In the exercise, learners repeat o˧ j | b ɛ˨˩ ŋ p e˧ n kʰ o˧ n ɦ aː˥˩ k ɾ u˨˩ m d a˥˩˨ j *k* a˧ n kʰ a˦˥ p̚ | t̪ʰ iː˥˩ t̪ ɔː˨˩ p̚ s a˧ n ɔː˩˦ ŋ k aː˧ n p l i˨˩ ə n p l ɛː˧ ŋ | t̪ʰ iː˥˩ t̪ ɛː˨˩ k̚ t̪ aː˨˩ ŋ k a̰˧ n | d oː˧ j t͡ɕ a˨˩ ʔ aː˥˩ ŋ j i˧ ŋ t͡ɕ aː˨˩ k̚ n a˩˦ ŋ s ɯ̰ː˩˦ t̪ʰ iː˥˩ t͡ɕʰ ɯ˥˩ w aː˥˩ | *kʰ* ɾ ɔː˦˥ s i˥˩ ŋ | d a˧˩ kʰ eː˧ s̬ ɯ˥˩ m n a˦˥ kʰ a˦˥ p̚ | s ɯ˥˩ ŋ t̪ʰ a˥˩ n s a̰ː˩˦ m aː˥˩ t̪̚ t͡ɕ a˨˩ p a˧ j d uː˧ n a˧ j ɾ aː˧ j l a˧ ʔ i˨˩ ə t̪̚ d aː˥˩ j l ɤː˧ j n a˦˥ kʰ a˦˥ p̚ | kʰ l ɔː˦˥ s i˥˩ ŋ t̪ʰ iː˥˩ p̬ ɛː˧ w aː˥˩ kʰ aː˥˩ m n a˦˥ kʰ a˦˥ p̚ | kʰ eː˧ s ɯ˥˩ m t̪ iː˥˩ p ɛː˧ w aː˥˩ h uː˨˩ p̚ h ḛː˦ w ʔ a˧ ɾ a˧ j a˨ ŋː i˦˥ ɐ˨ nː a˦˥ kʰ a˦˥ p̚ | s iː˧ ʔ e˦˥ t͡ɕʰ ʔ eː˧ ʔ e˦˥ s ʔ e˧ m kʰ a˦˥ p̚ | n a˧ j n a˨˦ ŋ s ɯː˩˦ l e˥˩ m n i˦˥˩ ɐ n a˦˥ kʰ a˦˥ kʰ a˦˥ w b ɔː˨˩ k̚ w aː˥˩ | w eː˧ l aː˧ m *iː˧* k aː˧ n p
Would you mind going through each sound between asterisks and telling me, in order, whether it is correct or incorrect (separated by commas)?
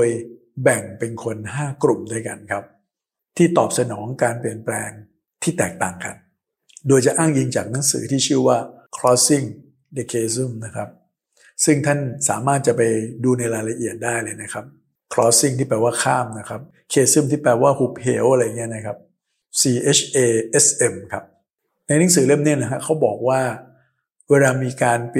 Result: correct, correct, correct